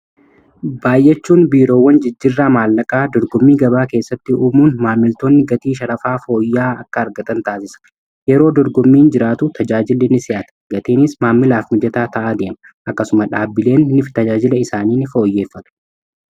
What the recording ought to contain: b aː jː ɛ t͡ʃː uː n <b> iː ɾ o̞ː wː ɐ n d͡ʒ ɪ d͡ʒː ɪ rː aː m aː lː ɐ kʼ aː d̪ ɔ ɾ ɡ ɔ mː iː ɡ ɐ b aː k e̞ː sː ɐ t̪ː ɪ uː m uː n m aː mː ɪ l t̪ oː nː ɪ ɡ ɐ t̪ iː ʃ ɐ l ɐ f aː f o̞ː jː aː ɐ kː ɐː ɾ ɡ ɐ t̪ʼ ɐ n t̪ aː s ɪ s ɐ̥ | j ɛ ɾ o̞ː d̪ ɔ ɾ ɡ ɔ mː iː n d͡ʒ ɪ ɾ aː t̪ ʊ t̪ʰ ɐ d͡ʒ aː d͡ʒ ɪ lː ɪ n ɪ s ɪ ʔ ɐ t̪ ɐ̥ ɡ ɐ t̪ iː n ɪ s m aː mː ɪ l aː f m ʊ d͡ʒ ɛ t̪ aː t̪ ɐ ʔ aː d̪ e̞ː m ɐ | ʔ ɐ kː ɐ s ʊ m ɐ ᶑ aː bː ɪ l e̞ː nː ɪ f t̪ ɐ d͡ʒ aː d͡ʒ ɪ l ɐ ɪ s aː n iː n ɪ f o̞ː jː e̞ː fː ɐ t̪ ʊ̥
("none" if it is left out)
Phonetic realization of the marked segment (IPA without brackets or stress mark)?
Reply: b